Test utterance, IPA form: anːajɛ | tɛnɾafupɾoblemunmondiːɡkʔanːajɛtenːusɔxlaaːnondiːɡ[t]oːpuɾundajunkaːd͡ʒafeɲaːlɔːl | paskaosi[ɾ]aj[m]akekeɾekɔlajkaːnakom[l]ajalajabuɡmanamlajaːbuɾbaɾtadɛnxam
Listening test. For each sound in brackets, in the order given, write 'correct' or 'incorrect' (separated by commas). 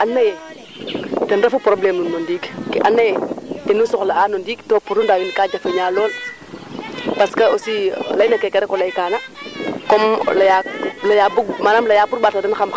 correct, incorrect, incorrect, correct